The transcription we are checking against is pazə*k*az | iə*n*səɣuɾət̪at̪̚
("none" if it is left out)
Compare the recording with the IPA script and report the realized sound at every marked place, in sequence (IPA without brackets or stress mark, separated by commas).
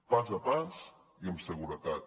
p, m